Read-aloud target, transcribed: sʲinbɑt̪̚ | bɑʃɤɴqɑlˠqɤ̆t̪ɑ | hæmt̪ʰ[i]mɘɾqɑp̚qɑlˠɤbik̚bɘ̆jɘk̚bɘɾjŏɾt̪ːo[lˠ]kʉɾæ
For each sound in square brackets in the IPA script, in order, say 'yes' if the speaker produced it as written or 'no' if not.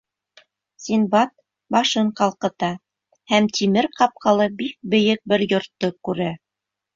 yes, no

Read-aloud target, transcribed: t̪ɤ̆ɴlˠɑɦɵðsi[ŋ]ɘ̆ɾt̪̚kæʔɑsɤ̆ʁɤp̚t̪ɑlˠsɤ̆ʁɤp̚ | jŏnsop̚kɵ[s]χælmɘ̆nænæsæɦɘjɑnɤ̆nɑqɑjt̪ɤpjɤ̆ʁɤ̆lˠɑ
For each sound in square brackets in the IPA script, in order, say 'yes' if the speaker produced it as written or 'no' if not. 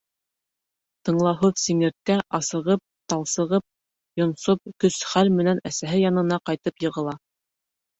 yes, yes

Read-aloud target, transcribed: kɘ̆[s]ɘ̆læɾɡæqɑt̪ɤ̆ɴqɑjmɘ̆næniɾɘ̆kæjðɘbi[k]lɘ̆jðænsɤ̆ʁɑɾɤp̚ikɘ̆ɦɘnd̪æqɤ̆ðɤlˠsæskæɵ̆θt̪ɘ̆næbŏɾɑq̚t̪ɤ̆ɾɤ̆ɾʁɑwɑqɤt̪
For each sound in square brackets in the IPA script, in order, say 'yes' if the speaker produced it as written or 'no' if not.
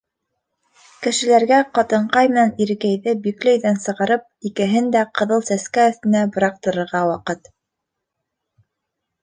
no, yes

